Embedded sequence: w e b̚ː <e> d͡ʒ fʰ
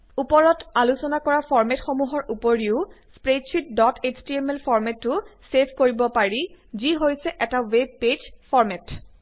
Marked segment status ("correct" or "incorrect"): correct